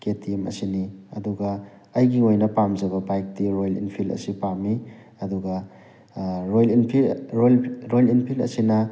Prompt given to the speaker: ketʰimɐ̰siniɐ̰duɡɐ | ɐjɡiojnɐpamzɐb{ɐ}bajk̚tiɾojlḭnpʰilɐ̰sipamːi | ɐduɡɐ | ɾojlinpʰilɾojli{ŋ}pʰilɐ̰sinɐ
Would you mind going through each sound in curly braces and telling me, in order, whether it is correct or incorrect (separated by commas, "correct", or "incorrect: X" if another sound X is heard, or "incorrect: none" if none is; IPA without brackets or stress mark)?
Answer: correct, incorrect: n